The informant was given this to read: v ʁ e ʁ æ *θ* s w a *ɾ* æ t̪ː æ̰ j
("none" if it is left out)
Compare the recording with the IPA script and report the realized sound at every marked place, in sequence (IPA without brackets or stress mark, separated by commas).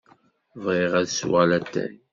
ð, l